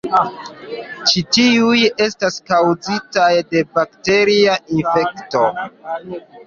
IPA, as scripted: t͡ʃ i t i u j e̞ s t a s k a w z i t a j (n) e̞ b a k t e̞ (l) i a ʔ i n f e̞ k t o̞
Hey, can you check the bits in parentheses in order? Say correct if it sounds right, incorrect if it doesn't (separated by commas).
incorrect, incorrect